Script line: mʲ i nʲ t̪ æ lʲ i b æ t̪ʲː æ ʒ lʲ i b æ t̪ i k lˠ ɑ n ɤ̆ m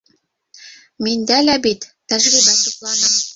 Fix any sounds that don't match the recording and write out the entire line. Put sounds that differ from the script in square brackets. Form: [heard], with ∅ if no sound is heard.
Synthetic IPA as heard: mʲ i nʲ [d̪] æ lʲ [æ] b [i] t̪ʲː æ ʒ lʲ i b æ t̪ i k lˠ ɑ n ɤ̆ m